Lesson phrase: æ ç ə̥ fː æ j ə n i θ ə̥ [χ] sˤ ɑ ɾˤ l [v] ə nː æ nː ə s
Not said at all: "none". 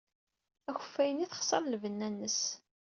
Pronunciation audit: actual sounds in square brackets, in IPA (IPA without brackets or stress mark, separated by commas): χ, v